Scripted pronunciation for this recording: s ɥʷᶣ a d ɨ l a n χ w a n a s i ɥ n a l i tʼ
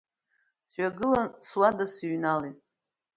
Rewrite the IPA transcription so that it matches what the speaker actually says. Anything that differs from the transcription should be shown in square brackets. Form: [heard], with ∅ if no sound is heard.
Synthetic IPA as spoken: s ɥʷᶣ a [ɡ] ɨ l a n [s] w a [d] a s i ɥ n a l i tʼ